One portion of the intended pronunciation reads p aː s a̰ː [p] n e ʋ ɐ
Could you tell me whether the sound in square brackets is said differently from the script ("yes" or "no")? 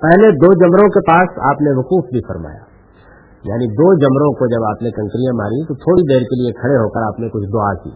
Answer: no